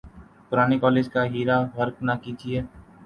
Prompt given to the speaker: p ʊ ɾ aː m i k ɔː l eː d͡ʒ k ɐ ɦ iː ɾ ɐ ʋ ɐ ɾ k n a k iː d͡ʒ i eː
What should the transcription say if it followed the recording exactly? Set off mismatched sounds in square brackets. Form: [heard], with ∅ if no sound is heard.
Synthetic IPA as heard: p ʊ ɾ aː [n] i k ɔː l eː d͡ʒ k [a] ɦ iː ɾ [a] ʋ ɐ ɾ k n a k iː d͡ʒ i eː